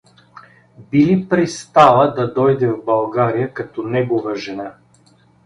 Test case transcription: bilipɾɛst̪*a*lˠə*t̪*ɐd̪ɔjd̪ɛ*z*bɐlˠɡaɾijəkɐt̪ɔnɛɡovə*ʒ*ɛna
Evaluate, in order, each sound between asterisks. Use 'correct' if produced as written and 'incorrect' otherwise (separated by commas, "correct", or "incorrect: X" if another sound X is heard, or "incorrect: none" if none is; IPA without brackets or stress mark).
correct, incorrect: d̪, incorrect: v, correct